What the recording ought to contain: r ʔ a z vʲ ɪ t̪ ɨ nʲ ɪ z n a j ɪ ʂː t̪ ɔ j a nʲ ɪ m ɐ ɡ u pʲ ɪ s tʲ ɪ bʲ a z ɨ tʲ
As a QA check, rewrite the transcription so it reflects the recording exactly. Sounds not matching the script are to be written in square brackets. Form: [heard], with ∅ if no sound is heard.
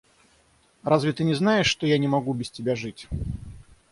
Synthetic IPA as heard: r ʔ a z vʲ ɪ t̪ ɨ nʲ ɪ z n a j ɪ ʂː t̪ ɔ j a nʲ ɪ m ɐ ɡ u [bʲ] ɪ s tʲ ɪ bʲ a [ʐ] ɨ tʲ